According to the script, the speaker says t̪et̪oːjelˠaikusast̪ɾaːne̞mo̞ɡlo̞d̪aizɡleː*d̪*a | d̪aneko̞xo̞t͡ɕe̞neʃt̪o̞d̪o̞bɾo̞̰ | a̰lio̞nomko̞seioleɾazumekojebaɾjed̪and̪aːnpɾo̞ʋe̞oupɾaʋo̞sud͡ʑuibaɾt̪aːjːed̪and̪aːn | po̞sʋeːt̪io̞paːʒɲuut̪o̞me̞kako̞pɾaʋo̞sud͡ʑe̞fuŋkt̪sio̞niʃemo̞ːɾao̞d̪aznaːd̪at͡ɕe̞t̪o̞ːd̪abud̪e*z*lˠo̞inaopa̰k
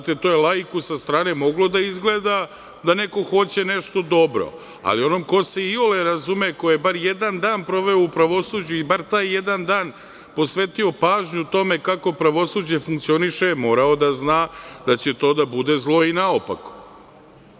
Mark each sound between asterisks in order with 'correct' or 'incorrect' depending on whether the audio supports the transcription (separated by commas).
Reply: correct, correct